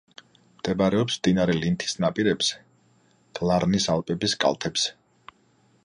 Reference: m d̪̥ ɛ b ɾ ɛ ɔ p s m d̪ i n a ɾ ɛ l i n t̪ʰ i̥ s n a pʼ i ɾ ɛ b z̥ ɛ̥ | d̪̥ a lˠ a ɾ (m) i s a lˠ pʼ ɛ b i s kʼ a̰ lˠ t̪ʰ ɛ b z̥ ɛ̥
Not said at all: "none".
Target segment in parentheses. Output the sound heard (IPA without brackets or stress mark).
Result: n